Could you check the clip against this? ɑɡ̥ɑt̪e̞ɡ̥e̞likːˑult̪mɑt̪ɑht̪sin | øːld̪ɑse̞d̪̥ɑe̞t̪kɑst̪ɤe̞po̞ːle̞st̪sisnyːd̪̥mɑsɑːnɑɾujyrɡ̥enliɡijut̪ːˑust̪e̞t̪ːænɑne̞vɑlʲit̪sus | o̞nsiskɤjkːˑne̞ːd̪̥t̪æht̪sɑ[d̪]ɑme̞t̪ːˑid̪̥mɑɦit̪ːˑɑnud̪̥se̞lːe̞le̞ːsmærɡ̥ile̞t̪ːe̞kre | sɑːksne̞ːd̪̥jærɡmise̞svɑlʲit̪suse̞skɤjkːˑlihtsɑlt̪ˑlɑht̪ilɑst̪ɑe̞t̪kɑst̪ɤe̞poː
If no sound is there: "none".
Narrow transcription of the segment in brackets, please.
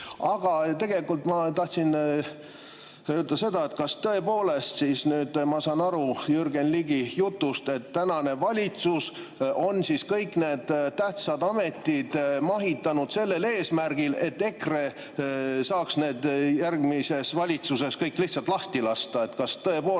d̪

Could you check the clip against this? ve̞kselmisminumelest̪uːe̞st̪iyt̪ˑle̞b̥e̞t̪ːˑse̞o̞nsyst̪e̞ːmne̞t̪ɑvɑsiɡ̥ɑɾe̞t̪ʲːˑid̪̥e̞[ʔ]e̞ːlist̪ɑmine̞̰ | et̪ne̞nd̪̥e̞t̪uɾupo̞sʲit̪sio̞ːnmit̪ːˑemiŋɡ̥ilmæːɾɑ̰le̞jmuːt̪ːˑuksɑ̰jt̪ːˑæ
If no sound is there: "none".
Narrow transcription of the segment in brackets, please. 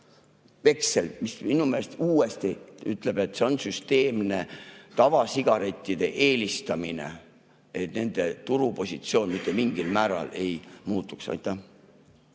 ʔ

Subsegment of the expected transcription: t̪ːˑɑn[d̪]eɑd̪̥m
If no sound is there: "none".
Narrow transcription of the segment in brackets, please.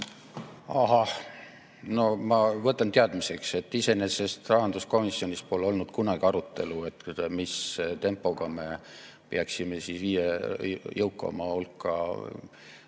t̪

